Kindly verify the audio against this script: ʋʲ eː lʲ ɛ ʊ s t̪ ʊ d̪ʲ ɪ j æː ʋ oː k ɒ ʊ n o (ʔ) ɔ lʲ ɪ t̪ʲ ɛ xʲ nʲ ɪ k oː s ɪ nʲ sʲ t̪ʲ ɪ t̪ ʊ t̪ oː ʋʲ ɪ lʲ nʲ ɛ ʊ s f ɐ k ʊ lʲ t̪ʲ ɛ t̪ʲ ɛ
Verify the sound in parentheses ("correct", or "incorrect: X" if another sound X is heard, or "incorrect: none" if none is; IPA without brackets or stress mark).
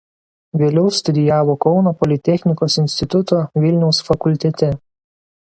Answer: incorrect: p